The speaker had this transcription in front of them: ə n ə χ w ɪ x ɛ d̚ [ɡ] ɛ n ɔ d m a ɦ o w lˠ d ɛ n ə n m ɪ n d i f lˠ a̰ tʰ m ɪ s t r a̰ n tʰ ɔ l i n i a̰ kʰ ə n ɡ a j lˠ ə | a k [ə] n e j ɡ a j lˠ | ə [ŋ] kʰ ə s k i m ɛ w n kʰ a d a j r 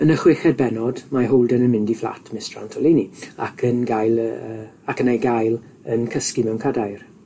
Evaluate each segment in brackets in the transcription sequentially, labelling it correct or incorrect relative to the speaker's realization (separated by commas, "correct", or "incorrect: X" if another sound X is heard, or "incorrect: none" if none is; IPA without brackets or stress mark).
incorrect: b, correct, incorrect: n